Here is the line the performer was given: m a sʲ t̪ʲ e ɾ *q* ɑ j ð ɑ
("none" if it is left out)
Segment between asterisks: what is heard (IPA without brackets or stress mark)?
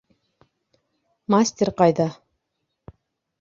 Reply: q